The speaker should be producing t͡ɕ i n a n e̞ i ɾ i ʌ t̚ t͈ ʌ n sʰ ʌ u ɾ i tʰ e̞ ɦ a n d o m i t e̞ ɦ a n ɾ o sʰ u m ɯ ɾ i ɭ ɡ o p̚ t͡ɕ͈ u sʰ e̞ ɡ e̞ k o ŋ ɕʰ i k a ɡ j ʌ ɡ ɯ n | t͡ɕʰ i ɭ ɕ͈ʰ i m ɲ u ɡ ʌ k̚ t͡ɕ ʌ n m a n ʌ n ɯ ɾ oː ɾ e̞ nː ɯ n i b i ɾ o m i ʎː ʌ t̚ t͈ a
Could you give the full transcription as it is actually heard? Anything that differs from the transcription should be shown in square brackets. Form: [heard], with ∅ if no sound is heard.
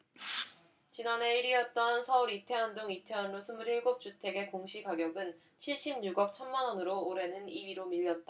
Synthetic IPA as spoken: t͡ɕ i n a n e̞ i ɾ i ʌ t̚ t͈ ʌ n sʰ ʌ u ɾ i tʰ e̞ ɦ a n d o [ŋ] i [tʰ] e̞ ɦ a n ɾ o sʰ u m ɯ ɾ i ɭ ɡ o p̚ t͡ɕ͈ u [tʰ] e̞ ɡ e̞ k o ŋ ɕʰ i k a ɡ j ʌ ɡ ɯ n | t͡ɕʰ i ɭ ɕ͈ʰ i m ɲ u ɡ ʌ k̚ [t͡ɕʰ] ʌ n m a n ʌ n ɯ ɾ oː ɾ e̞ [n] ɯ n i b i ɾ o m i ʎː ʌ t̚ t͈ a